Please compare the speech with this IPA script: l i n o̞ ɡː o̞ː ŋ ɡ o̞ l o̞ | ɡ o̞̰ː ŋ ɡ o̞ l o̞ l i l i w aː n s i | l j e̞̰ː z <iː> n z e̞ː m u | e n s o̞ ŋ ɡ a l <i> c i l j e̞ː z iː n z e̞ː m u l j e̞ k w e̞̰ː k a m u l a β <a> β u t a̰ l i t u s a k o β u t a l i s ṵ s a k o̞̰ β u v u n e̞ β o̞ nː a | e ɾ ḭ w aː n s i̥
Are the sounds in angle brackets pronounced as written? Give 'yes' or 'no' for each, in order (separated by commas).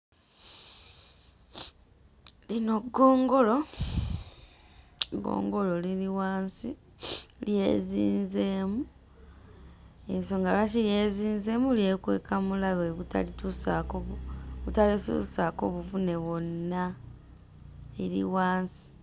yes, no, no